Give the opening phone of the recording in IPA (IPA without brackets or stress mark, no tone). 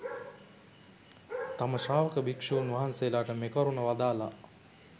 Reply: t̪